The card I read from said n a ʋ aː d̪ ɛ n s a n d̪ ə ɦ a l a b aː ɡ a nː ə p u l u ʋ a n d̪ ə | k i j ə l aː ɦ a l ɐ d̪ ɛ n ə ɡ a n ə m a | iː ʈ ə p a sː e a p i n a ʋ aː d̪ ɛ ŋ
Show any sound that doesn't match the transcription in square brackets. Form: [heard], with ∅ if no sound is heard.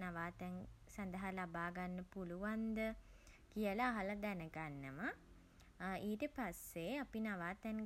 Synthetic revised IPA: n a ʋ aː [t̪] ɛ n s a n d̪ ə ɦ a l a b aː ɡ a nː ə p u l u ʋ a n d̪ ə | k i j ə l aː ɦ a l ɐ d̪ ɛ n ə ɡ a [nː] ə m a | iː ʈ ə p a sː e a p i n a ʋ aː [t̪] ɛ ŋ